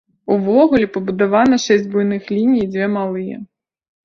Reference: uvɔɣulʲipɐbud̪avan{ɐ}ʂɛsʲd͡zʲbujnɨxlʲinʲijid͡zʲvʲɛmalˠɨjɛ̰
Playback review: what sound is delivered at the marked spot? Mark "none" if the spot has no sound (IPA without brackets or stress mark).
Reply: ɐ